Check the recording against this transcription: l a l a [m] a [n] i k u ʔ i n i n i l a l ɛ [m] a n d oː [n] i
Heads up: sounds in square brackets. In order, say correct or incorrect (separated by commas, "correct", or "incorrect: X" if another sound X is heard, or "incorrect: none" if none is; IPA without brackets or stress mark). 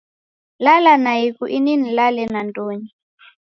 incorrect: n, incorrect: none, incorrect: n, incorrect: ɲ